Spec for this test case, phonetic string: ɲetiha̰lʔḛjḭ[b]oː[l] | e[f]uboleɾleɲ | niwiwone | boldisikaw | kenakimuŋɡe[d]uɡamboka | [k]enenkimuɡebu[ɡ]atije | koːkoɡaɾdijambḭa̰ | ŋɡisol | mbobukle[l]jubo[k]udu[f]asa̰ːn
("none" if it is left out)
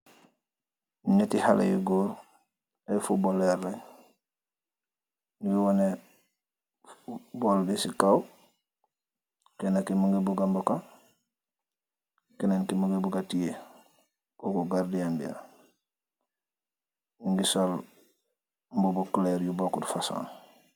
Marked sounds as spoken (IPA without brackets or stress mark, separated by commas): ɡ, ɾ, f, b, k, ɡ, ɾ, k, f